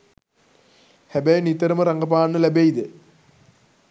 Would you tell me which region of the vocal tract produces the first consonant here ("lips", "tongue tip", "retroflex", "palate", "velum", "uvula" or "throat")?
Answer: throat